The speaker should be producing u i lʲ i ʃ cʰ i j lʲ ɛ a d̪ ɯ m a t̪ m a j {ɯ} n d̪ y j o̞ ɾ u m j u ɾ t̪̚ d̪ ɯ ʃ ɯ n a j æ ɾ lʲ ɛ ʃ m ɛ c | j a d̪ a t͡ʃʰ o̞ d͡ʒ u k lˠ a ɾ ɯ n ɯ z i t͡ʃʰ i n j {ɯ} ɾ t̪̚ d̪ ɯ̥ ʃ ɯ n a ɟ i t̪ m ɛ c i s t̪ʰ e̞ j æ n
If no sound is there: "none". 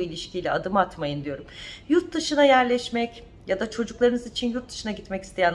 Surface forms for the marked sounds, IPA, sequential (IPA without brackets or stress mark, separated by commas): ɯ, u